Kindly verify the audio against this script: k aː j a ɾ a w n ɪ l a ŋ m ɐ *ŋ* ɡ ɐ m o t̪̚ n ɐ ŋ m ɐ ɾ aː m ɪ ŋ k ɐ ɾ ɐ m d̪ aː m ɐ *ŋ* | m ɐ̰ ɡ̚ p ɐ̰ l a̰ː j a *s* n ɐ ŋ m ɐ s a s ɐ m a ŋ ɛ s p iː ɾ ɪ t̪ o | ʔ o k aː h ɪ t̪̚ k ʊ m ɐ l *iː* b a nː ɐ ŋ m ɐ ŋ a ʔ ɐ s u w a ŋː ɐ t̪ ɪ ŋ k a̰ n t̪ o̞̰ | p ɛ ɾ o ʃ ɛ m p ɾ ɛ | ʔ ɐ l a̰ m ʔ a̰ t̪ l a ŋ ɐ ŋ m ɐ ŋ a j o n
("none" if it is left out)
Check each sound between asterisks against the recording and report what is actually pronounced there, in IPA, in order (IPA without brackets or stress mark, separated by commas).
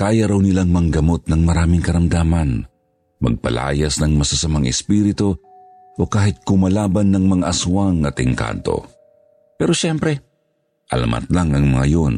ŋ, n, s, aː